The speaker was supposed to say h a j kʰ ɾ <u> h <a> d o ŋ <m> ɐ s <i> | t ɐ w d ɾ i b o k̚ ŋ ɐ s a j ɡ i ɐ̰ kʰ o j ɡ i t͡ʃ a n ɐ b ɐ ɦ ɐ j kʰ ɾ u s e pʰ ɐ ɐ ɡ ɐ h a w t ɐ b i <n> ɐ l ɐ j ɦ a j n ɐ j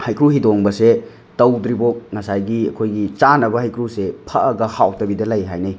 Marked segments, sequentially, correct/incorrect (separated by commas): correct, incorrect, incorrect, incorrect, incorrect